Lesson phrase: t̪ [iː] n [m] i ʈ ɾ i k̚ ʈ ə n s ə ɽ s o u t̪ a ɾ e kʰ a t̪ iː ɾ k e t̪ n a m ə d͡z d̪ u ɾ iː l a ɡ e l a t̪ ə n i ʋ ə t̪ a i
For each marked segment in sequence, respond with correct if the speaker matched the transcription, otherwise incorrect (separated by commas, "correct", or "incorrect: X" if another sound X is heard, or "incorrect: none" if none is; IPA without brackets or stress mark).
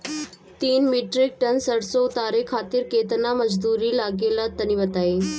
correct, correct